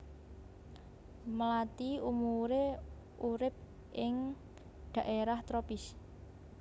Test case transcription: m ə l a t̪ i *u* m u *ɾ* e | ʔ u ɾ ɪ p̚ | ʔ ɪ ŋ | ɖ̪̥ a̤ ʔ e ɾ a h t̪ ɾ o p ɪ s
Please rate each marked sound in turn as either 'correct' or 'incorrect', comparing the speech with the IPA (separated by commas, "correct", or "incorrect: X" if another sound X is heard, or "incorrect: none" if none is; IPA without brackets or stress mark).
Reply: correct, correct